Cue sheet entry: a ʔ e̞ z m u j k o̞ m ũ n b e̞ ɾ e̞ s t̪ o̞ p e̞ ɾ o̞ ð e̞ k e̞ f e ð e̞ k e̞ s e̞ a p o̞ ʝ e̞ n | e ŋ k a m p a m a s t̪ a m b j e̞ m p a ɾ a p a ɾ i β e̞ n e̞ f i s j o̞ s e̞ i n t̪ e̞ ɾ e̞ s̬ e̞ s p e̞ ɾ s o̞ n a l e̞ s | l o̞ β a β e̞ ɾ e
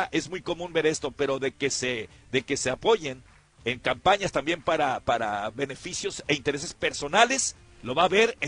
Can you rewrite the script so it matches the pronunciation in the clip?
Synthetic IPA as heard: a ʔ e̞ z m u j k o̞ m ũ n b e̞ ɾ e̞ s t̪ o̞ p e̞ ɾ o̞ ð e̞ k e̞ s e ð e̞ k e̞ s e̞ a p o̞ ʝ e̞ n | e ŋ k a m p a ɲ a s t̪ a m b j e̞ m p a ɾ a p a ɾ a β e̞ n e̞ f i s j o̞ s e̞ i n t̪ e̞ ɾ e̞ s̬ e̞ s p e̞ ɾ s o̞ n a l e̞ s | l o̞ β a β e̞ ɾ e